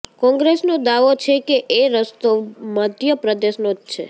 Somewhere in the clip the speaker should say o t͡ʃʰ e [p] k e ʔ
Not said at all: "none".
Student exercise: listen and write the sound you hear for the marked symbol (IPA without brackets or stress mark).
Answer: none